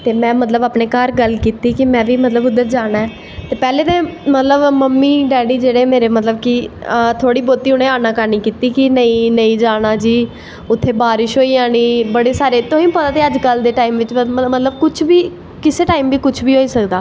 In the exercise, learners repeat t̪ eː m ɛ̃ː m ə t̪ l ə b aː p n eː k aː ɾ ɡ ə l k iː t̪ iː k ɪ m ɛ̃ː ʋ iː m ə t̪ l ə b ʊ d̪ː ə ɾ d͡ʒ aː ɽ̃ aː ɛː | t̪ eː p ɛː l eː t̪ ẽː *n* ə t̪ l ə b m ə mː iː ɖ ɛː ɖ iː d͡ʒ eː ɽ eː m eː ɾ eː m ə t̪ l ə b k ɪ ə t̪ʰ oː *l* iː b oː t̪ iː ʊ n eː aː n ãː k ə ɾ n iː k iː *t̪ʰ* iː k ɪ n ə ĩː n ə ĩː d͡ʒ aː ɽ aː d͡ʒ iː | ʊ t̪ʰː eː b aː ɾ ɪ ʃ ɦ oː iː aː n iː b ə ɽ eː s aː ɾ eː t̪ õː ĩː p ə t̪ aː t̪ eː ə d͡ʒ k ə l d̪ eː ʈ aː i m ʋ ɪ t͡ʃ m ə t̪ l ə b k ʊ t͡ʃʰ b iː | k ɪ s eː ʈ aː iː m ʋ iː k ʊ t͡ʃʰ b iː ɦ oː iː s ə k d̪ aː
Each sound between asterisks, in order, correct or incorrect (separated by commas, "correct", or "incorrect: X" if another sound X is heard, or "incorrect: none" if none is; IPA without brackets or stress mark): incorrect: m, incorrect: ɽ, incorrect: t̪